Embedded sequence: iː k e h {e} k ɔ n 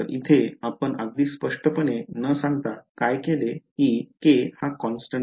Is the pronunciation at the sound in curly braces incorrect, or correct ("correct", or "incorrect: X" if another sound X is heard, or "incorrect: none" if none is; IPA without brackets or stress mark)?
incorrect: a